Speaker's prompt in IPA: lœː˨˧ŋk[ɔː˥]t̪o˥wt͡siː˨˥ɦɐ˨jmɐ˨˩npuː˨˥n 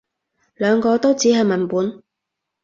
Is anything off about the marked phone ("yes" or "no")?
yes